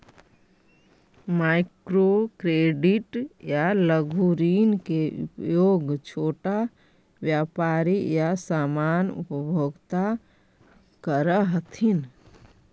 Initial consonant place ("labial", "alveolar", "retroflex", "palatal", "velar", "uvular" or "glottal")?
labial